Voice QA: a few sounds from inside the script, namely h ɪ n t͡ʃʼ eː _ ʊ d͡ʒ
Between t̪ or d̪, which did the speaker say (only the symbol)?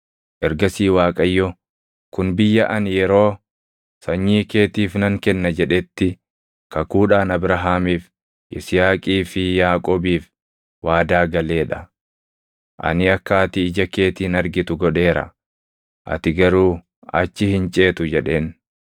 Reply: t̪